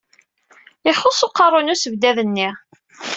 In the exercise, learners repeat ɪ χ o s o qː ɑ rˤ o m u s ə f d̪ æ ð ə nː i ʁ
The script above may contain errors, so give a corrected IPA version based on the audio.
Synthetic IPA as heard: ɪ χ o s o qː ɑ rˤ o n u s ə v d̪ æ ð ə nː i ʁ